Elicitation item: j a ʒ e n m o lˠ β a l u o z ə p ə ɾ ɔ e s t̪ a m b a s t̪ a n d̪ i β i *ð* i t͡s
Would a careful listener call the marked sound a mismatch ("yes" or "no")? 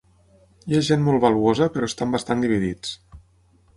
no